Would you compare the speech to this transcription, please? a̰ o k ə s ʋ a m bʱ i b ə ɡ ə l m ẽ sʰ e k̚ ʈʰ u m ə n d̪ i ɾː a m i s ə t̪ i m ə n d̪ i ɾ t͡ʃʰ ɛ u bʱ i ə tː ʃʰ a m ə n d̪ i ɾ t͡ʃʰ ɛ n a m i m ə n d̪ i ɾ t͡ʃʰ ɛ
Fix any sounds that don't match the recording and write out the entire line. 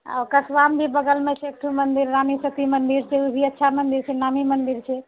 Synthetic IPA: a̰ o k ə s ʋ a m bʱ i b ə ɡ ə l m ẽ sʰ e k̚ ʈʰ u m ə n d̪ i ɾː a m i s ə t̪ i m ə n d̪ i ɾ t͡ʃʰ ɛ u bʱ i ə tː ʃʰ a m ə n d̪ i ɾ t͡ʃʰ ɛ n a m i m ə n d̪ i ɾ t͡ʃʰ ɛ

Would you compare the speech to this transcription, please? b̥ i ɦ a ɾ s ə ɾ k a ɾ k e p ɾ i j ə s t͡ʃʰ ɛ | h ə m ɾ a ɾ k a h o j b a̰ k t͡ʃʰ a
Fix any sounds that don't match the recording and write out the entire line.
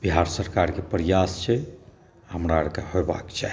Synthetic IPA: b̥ i ɦ a ɾ s ə ɾ k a ɾ k e p ɾ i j a s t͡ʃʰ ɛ | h ə m ɾ a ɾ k a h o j b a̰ k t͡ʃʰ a

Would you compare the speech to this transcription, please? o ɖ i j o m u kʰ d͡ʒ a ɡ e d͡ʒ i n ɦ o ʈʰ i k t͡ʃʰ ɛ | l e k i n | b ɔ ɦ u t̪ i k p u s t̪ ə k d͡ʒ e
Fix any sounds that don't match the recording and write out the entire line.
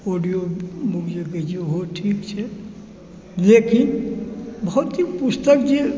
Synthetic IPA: o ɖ i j o m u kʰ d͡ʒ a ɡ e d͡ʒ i ɦ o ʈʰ i k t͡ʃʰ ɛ | l e k i n | b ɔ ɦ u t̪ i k p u s t̪ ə k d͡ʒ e

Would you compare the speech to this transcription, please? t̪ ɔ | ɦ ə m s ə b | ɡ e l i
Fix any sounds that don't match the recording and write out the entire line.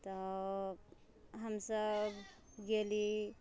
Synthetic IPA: t̪ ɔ | ɦ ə m s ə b | ɡ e l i

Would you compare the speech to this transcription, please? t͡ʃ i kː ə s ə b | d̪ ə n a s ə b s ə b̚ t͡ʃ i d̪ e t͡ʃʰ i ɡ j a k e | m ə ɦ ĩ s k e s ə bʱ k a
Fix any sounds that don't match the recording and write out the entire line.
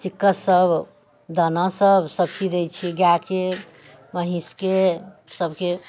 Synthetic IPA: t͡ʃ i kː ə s ə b | d̪ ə n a s ə b s ə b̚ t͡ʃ i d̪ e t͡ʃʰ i ɡ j a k e | m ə ɦ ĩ s k e s ə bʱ k e

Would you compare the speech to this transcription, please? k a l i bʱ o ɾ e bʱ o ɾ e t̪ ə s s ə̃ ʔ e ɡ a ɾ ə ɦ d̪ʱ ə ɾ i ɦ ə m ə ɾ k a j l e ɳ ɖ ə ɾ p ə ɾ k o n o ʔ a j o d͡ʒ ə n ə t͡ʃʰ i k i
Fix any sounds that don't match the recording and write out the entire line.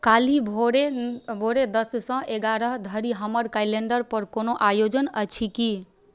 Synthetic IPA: k a l i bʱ o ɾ e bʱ o ɾ e d̪ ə s s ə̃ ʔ e ɡ a ɾ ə ɦ d̪ʱ ə ɾ i ɦ ə m ə ɾ k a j l e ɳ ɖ ə ɾ p ə ɾ k o n o ʔ a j o d͡ʒ ə n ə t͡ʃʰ i k i

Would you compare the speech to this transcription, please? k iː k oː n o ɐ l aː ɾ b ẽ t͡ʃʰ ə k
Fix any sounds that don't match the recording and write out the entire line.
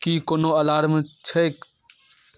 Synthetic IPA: k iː k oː n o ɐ l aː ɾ m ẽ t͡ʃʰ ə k

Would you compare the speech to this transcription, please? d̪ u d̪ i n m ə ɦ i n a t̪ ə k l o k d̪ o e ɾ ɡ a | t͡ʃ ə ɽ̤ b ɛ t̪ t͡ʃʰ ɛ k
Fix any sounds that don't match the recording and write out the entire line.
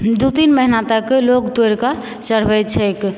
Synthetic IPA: d̪ u t̪ i n m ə ɦ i n a t̪ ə k l o k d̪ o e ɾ k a | t͡ʃ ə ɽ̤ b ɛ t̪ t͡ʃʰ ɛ k

